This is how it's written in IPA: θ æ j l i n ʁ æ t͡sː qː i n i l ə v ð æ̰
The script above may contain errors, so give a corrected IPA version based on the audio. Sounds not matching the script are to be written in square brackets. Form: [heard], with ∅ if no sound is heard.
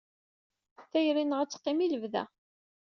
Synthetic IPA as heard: θ æ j [ɾ] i n ʁ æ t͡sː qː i [m] i l ə v ð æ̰